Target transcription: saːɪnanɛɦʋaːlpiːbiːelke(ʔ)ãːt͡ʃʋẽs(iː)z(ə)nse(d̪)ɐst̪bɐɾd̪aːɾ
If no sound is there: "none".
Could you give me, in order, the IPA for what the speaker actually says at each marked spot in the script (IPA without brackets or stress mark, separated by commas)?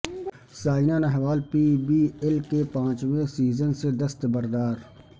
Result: p, iː, ə, d̪